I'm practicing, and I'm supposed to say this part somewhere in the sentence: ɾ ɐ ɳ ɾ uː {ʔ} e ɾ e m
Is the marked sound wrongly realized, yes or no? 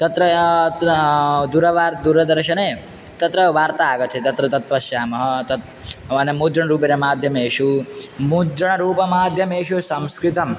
yes